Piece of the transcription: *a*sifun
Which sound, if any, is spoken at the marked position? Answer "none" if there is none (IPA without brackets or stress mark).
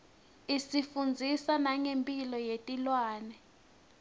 i